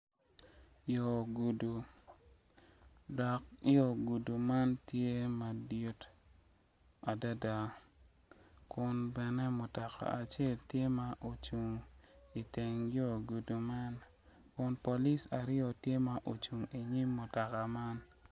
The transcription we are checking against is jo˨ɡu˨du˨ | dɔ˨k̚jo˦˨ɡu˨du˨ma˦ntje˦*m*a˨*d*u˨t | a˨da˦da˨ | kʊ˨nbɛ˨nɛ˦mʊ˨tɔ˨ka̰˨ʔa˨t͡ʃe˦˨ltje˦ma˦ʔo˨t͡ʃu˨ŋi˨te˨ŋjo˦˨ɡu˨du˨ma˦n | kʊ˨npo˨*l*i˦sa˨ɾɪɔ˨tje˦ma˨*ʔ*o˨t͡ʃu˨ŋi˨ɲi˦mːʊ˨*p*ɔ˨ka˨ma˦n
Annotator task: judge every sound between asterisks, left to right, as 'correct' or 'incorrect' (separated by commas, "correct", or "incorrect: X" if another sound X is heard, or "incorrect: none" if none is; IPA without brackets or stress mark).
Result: correct, correct, correct, correct, incorrect: t